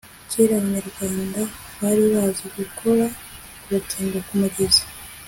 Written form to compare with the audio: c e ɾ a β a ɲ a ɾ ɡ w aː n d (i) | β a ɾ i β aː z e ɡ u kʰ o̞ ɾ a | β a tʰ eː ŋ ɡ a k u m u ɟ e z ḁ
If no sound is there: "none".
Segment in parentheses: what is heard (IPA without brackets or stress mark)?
a